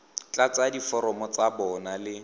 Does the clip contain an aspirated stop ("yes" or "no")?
no